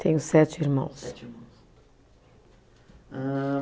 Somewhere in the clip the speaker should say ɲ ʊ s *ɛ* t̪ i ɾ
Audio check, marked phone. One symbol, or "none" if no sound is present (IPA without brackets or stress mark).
ɛ